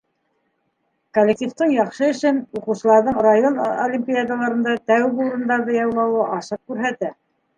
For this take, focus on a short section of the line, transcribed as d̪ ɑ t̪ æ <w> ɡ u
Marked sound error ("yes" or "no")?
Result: no